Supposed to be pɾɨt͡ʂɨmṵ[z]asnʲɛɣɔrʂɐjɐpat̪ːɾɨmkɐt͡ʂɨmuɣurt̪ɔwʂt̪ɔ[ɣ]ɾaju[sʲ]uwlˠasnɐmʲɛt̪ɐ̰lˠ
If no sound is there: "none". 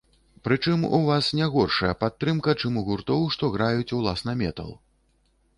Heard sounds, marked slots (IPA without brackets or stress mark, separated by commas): v, ɣ, t͡sʲ